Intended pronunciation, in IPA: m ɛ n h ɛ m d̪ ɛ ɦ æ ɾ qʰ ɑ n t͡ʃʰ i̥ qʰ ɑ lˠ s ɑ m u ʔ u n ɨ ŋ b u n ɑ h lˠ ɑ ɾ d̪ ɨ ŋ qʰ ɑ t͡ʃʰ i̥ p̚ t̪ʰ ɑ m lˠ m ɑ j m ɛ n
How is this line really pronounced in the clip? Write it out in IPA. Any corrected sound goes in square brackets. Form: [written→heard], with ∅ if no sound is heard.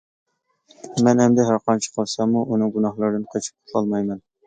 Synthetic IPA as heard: m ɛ n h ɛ m d̪ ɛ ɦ æ ɾ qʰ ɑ n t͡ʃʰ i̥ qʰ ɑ lˠ s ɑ m u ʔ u n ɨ ŋ [b→ɡ] u n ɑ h lˠ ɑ ɾ d̪ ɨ [ŋ→n] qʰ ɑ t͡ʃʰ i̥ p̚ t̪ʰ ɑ [m→∅] lˠ m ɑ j m ɛ n